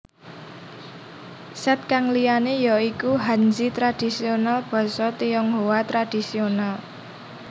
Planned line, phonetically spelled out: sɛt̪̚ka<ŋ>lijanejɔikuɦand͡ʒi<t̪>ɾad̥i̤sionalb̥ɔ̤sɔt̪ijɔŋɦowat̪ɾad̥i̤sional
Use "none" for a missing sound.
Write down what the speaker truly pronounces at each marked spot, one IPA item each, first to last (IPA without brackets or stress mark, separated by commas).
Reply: ŋ, t̪